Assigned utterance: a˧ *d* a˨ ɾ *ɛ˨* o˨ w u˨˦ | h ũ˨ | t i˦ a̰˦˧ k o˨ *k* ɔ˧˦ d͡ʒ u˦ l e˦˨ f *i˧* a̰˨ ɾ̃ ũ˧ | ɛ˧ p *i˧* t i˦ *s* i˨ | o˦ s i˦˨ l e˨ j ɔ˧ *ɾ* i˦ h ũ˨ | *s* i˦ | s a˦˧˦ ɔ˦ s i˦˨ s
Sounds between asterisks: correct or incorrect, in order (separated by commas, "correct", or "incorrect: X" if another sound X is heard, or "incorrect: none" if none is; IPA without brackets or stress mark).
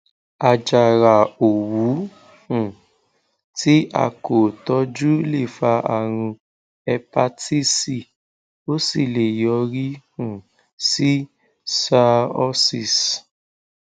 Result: incorrect: d͡ʒ, incorrect: a˨, incorrect: t, incorrect: a˧, incorrect: a˧, correct, correct, correct